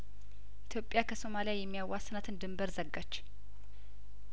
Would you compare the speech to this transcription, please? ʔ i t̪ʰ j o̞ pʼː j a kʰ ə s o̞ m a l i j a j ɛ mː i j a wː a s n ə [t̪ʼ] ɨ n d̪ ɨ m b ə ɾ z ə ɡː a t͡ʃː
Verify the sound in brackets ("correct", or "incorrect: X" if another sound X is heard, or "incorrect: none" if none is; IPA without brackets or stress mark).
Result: incorrect: t̪